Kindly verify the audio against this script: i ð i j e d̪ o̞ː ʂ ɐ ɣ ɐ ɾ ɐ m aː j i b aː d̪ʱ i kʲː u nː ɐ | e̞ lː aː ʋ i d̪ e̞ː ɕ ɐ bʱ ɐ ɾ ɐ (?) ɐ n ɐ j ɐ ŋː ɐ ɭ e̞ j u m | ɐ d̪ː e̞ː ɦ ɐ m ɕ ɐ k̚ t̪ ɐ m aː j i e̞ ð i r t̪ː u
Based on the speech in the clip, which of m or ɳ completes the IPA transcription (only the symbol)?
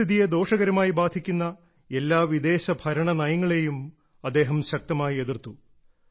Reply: ɳ